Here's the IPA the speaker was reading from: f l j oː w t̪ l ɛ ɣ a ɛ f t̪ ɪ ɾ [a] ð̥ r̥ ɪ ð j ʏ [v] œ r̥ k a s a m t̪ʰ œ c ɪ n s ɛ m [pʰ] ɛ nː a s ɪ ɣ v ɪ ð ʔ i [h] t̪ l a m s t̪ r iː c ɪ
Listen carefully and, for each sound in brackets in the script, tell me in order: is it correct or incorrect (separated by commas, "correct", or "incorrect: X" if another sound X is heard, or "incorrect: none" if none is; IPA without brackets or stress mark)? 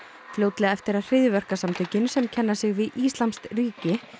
correct, correct, incorrect: cʰ, incorrect: s